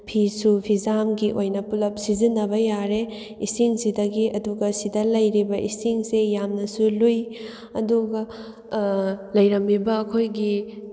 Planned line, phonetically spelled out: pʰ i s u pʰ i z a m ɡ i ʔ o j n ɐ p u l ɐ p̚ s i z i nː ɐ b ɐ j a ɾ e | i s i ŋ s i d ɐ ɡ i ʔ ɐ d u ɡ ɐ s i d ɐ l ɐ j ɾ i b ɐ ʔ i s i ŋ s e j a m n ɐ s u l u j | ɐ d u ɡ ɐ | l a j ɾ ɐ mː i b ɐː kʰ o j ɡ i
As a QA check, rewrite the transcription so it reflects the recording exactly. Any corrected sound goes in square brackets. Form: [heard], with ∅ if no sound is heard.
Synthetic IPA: pʰ i s u pʰ i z a m ɡ i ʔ o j n ɐ p u l ɐ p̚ s i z i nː ɐ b ɐ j a ɾ e | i s i ŋ s i d ɐ ɡ i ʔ ɐ d u ɡ ɐ s i d ɐ l ɐ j ɾ i b ɐ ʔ i s i ŋ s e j a m n ɐ s u l u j | ɐ d u ɡ ɐ | l [ɐ] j ɾ ɐ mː i b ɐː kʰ o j ɡ i